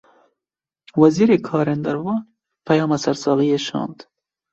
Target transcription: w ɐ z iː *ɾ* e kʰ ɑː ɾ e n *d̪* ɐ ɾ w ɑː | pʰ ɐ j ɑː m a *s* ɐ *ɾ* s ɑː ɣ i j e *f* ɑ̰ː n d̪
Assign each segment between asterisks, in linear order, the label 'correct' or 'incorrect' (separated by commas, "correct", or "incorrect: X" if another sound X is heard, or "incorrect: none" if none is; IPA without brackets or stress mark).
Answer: correct, correct, correct, correct, incorrect: ʃ